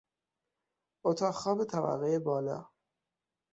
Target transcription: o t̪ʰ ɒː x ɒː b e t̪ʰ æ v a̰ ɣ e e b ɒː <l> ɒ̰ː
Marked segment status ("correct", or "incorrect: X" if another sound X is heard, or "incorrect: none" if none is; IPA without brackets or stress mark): correct